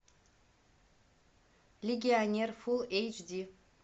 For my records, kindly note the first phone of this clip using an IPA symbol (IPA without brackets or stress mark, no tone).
l